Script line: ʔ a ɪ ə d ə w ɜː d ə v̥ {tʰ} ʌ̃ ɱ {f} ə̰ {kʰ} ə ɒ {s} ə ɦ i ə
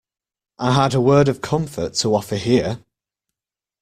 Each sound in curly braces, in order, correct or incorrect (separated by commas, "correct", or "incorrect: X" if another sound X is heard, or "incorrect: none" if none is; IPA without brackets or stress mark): incorrect: kʰ, correct, incorrect: tʰ, incorrect: f